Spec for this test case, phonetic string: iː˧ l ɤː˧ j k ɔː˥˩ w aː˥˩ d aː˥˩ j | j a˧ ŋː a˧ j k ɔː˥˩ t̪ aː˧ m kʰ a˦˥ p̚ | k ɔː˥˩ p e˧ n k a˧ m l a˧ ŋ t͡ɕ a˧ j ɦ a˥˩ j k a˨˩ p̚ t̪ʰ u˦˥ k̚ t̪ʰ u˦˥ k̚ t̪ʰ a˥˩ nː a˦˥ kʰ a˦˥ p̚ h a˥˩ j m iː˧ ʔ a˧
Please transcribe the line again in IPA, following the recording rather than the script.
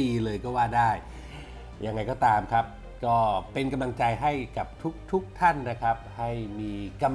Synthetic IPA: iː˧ l ɤː˧ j k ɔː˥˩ w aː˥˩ d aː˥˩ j | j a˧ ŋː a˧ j k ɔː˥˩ t̪ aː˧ m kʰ a˦˥ p̚ | k ɔː˥˩ p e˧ n k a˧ m l a˧ ŋ t͡ɕ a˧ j ɦ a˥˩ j k a˨˩ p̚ t̪ʰ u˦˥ k̚ t̪ʰ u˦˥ k̚ t̪ʰ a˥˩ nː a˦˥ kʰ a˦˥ p̚ h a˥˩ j m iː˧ k a˧